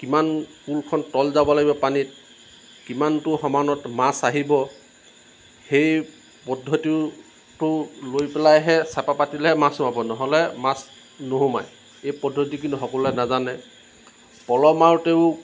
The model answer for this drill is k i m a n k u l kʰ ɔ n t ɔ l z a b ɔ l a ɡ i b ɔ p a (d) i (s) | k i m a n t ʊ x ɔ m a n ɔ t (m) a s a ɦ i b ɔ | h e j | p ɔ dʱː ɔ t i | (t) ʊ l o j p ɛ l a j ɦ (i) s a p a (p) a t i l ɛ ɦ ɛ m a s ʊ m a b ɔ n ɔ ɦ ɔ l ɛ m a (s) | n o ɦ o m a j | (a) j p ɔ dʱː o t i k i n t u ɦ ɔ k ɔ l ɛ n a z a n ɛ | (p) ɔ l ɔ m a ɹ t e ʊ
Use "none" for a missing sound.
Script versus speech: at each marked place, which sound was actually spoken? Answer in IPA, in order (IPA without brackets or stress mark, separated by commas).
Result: n, t, m, t, ɛ, p, s, e, p